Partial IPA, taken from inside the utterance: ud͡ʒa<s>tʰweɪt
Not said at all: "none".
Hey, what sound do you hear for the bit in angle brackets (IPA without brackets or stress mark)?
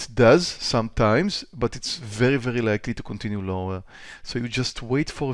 s